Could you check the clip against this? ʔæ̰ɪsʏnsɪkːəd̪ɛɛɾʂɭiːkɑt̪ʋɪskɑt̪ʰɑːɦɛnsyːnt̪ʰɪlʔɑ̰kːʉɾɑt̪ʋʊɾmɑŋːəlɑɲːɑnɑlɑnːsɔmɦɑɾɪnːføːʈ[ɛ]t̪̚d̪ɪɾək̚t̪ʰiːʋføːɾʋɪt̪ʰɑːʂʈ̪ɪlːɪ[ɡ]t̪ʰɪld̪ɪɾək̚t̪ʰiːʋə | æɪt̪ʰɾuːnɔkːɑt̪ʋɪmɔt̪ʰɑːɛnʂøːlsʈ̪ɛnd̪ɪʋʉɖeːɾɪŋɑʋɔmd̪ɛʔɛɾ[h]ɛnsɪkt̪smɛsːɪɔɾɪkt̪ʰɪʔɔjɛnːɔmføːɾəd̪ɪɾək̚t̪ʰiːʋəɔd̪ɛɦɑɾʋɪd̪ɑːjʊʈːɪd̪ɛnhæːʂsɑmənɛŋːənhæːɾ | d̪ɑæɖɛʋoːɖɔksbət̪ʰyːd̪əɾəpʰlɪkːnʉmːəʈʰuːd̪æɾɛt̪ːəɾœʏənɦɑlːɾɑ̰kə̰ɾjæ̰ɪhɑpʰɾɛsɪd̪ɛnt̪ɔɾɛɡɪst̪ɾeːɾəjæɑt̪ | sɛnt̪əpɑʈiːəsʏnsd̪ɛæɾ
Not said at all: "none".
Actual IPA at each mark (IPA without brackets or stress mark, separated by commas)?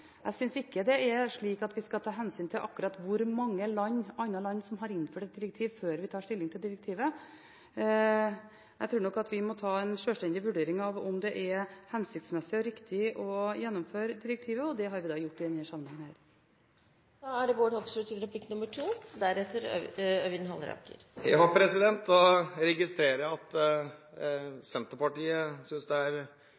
ɛ, ŋ, h